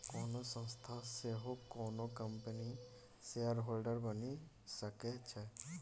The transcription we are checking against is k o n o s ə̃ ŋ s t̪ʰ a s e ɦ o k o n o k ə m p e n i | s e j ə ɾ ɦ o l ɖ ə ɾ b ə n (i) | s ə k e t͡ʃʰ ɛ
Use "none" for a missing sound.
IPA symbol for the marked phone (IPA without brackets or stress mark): i